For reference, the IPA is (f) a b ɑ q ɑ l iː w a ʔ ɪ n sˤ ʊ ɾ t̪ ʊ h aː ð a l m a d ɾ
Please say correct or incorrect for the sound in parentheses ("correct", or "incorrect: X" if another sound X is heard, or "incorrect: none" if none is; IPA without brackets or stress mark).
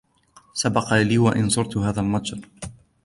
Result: incorrect: s